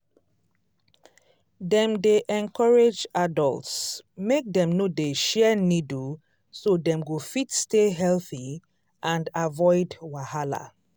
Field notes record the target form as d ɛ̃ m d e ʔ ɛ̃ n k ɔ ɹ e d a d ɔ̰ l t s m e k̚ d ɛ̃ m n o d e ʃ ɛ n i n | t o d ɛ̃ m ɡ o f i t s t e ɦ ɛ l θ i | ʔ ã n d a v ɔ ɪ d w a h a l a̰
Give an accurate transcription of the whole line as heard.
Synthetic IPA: d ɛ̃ m d e ʔ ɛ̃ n k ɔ ɹ e d͡ʒ a d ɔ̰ l t s m e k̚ d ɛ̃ m n o d e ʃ ɛ n i d | s o d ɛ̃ m ɡ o f i t s t e ɦ ɛ l θ i | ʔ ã n d a v ɔ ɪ d w a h a l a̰

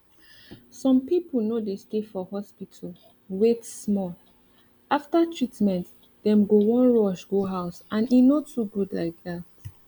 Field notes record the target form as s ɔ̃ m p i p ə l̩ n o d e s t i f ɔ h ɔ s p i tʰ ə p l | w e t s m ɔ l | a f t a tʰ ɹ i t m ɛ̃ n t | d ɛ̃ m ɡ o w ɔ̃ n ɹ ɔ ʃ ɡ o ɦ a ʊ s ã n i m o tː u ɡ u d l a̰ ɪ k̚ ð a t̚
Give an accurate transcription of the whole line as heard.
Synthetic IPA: s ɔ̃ m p i p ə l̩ n o d e s t e f ɔ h ɔ s p i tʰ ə l | w e t s m ɔ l | a f t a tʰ ɹ i t m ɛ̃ n t | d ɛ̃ m ɡ o w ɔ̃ n ɹ ɔ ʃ ɡ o ɦ a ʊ s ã n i n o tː u ɡ u d l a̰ ɪ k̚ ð a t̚

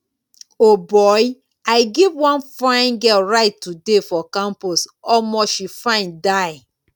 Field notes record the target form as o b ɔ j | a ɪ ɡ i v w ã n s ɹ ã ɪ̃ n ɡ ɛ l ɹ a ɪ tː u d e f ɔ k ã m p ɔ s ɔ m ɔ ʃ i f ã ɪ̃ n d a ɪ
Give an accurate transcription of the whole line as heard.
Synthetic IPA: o b ɔ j | a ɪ ɡ i v w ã n f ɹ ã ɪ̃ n ɡ ɛ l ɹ a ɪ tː u d e f ɔ k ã m p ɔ s ɔ m ɔ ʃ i f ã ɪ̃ n d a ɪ

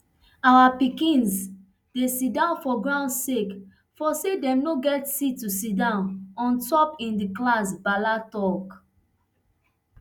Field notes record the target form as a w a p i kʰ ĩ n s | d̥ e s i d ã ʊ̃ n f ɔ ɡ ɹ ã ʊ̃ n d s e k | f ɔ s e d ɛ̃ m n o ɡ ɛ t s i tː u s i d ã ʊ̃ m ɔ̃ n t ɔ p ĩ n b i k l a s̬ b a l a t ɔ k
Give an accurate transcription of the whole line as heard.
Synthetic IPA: a w a p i k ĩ n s | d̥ e s i d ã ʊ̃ n f ɔ ɡ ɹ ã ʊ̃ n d s e k | f ɔ s e d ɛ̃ m n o ɡ ɛ t s i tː u s i d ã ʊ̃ n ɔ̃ n t ɔ p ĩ n d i k l a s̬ b a l a t ɔ k

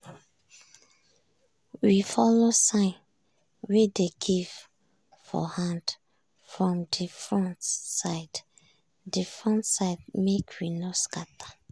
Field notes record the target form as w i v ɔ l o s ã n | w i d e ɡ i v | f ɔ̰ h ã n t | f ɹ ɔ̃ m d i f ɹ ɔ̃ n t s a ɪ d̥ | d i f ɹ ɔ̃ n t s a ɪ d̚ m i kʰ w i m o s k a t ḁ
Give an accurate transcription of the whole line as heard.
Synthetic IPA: w i f ɔ l o s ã n | w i d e ɡ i v | f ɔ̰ h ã n d | f ɹ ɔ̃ m d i f ɹ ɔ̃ n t s a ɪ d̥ | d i f ɹ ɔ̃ n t s a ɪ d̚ m e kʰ w i n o s k a t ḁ

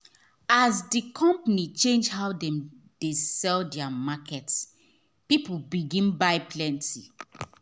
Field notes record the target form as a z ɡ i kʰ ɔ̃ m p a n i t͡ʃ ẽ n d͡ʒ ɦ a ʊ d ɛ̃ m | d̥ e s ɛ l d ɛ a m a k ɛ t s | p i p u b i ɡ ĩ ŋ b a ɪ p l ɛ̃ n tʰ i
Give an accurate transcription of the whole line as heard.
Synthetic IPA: a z d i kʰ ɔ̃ m p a n i t͡ʃ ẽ n d͡ʒ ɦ a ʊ d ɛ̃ m | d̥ e s ɛ l d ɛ a m a k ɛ t s | p i p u b i ɡ ĩ n b a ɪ p l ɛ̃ n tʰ i

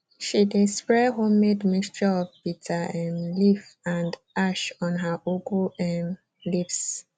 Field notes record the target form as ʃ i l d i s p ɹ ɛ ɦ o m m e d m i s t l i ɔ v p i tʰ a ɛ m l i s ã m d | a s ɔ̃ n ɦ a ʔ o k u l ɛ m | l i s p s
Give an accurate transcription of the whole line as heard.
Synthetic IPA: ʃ i d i s p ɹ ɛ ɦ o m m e d m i s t ɹ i ɔ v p i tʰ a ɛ m l i f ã n d | a ʃ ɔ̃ n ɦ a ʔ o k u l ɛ m | l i p s

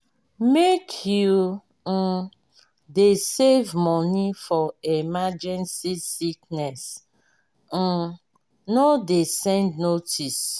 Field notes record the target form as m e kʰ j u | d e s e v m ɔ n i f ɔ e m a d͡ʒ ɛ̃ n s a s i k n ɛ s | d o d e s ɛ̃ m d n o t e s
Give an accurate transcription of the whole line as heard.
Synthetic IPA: m e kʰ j u | d e s e v m ɔ n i f ɔ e m a d͡ʒ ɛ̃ n s i s i k n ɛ s | n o d e s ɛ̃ n d n o t i s

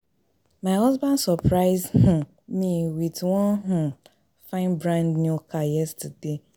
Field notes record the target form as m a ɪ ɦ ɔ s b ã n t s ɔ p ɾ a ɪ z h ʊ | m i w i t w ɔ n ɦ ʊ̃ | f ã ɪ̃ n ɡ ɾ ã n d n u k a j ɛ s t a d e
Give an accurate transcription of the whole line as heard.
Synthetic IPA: m a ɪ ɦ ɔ z b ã n d s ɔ p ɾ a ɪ z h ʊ | m i w i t w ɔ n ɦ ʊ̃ | f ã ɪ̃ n b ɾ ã n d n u k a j ɛ s t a d e

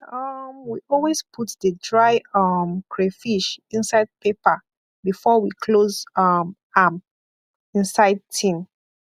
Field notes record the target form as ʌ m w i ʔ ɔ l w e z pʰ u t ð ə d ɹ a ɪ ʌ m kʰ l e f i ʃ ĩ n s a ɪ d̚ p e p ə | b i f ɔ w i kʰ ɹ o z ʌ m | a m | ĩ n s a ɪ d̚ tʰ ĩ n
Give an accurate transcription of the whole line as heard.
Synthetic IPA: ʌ m w i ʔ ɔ l w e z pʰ u t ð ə d ɹ a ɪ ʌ m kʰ ɹ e f i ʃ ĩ n s a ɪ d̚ p e p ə | b i f ɔ w i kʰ l o z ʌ m | a m | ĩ n s a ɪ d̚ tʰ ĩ n

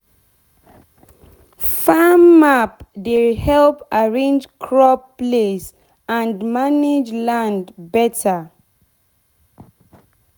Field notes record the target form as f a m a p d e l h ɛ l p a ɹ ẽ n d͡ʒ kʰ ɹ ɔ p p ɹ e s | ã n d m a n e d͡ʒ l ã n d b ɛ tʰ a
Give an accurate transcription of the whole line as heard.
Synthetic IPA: f a m a p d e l h ɛ l p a ɹ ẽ n d͡ʒ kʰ ɹ ɔ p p l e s | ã n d m a n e d͡ʒ l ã n d b ɛ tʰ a

